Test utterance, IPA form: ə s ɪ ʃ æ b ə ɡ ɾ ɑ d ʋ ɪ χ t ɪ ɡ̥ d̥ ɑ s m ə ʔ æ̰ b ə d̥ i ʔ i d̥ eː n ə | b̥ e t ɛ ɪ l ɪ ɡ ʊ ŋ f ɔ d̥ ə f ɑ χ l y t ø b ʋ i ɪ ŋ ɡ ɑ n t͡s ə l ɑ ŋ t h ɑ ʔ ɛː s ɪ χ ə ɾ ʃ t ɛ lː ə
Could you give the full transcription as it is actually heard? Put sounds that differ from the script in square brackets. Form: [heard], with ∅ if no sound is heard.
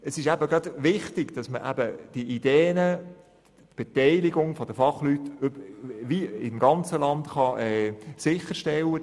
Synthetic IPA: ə s ɪ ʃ æ b ə ɡ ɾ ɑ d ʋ ɪ χ t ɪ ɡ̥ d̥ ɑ s m ə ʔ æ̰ b ə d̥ i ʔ i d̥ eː n ə | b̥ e t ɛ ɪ l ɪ ɡ ʊ ŋ f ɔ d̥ ə f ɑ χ l y t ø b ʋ i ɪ [m] ɡ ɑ n t͡s ə l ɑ [n] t [χ] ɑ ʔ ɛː s ɪ χ ə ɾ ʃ t ɛ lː ə